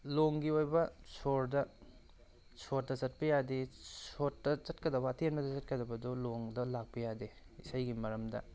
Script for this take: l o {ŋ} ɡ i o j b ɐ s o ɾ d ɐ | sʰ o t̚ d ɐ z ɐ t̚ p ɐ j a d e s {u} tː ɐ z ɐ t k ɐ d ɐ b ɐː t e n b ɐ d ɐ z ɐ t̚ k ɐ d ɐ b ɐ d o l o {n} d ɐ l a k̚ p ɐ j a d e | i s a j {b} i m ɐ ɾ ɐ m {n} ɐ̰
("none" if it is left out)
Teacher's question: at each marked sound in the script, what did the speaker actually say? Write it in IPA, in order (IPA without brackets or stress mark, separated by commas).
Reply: ŋ, o, ŋ, ɡ, d